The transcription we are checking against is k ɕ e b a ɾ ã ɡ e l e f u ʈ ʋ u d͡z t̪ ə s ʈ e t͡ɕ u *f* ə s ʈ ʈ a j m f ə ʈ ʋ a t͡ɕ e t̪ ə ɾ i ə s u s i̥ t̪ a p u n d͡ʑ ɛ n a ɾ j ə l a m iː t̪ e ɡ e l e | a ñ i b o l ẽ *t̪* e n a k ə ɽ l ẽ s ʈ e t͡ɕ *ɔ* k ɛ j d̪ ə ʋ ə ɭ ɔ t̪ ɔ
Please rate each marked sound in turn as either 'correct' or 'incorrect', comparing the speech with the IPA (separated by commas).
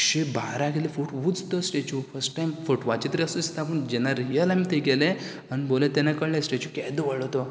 correct, correct, incorrect